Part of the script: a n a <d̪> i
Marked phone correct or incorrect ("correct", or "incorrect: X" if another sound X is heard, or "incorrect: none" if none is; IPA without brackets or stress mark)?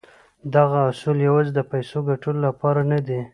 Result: correct